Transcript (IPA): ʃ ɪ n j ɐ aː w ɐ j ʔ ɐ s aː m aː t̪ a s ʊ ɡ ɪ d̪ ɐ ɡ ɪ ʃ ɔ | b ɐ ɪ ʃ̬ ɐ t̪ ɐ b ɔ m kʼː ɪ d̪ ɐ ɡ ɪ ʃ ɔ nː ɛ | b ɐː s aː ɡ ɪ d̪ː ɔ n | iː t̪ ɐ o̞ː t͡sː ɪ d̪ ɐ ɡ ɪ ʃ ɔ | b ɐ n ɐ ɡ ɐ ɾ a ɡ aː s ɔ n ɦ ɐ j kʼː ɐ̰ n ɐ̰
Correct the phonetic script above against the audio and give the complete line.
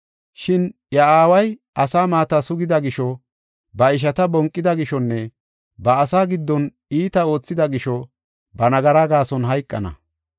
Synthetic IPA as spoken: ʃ ɪ n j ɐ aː w ɐ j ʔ ɐ s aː m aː t̪ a s ʊ ɡ ɪ d̪ ɐ ɡ ɪ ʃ ɔ | b ɐ ɪ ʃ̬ ɐ t̪ ɐ b ɔ ŋ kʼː ɪ d̪ ɐ ɡ ɪ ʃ ɔ nː ɛ | b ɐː s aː ɡ ɪ d̪ː ɔ n | iː t̪ ɐ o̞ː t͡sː ɪ d̪ ɐ ɡ ɪ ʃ ɔ | b ɐ n ɐ ɡ ɐ ɾ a ɡ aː s ɔ n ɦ ɐ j kʼː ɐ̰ n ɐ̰